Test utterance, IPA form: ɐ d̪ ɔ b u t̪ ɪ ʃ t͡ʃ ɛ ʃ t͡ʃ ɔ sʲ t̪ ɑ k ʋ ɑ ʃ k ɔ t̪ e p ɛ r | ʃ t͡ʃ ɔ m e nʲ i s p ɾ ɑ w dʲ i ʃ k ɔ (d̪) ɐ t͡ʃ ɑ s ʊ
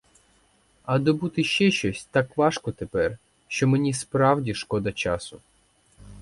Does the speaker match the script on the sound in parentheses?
yes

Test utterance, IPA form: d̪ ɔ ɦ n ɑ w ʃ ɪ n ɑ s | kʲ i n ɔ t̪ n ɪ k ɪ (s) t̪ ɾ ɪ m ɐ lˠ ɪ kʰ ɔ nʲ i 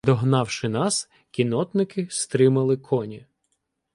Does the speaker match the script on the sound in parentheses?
yes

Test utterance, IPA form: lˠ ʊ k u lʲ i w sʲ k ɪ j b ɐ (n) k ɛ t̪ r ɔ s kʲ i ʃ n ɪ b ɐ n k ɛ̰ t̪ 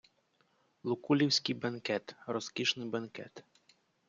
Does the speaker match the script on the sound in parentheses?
yes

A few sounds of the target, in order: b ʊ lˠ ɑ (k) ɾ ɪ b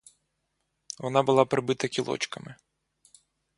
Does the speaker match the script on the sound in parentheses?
no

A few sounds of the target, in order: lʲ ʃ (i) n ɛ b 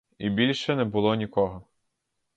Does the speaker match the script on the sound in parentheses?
no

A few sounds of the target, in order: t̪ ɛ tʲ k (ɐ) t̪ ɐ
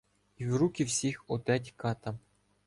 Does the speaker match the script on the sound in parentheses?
no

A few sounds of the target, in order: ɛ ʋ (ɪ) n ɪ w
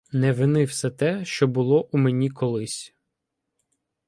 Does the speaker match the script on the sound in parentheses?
yes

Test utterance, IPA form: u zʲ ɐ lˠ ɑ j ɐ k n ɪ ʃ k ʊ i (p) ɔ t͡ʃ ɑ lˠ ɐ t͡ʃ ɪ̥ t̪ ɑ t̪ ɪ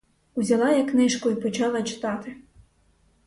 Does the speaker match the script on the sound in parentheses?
yes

